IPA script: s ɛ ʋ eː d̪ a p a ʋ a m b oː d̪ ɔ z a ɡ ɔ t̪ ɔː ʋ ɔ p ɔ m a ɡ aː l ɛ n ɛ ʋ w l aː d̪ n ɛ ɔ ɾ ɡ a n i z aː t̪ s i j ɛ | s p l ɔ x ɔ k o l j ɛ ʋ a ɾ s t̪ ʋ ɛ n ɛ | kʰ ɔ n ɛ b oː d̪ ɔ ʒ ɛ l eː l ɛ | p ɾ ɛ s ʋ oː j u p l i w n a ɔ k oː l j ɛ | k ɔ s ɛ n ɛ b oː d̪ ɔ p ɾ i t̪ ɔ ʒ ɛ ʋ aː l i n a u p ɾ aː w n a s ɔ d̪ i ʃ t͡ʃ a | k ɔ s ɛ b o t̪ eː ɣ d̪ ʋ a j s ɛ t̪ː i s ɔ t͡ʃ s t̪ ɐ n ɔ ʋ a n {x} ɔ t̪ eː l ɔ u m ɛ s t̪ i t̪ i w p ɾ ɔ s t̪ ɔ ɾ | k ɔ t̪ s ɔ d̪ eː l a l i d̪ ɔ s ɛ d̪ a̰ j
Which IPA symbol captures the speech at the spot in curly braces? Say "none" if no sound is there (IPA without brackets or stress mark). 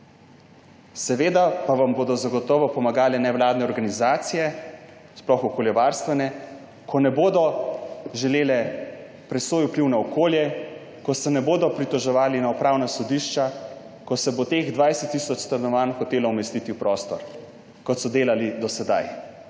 x